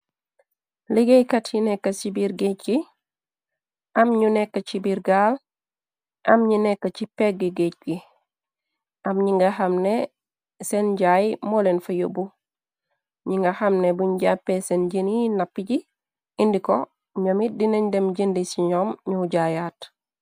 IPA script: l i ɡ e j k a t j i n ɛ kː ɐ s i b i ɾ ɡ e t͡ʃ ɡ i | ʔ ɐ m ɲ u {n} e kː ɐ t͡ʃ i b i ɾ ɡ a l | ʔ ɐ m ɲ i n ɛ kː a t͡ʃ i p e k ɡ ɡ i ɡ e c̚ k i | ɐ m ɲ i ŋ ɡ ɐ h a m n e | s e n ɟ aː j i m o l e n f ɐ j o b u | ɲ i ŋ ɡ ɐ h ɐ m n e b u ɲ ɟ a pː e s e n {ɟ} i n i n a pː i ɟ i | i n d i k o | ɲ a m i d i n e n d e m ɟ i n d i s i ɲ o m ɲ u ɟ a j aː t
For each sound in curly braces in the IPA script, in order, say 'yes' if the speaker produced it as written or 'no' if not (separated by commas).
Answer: yes, yes